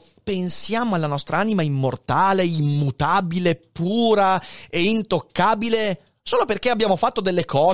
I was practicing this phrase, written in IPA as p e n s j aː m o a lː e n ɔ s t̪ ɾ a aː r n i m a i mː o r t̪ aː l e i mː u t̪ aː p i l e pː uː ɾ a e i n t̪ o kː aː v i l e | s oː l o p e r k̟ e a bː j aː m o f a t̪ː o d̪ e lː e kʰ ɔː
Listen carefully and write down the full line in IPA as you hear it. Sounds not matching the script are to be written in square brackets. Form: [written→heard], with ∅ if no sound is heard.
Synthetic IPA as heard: p e n s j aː m o a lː [e→a] n ɔ s t̪ ɾ a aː [r→∅] n i m a i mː o r t̪ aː l e i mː u t̪ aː [p→b] i l e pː uː ɾ a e i n t̪ o kː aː [v→b] i l e | s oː l o p e r k̟ e a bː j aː m o f a t̪ː o d̪ e lː e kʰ ɔː